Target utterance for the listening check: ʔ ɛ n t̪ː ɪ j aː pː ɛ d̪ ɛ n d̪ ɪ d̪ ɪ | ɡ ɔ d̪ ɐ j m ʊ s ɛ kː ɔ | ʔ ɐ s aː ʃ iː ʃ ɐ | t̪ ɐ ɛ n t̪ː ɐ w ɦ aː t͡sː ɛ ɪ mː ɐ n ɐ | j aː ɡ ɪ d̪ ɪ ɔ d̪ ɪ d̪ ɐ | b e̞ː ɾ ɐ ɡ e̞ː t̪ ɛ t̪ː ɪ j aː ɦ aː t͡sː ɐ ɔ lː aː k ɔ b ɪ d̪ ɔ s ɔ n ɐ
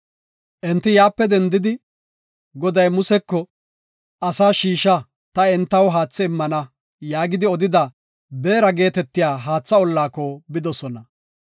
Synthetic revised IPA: ʔ ɛ n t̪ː ɪ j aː pː ɛ d̪ ɛ n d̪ ɪ d̪ ɪ | ɡ ɔ d̪ ɐ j m ʊ s ɛ kː ɔ | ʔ ɐ s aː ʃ iː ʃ ɐ | t̪ ɐ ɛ n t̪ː ɐ w ɦ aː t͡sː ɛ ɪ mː ɐ n ɐ | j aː ɡ ɪ d̪ ɪ ɔ d̪ ɪ d̪ ɐ | b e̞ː ɾ ɐ ɡ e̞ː t̪ ɛ t̪ː ɪ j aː ɦ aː t͡sː ɐ ɔ lː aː k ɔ b ɪ d̪ ɔ s ɔ n ɐ